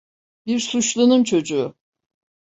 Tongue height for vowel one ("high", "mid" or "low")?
high